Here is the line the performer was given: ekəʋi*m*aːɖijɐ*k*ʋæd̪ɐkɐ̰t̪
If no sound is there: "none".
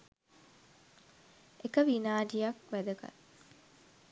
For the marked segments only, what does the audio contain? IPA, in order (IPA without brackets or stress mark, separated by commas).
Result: n, k